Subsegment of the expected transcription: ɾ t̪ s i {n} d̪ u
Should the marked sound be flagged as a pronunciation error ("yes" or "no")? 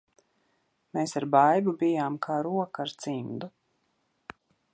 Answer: yes